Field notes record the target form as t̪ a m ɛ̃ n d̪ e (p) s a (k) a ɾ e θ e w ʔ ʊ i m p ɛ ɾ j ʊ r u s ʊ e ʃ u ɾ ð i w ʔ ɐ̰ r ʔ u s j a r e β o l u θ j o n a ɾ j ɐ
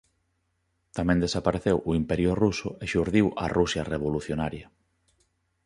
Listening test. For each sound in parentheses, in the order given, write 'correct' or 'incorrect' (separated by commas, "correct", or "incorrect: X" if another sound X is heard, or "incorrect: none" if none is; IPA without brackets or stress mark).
incorrect: none, incorrect: p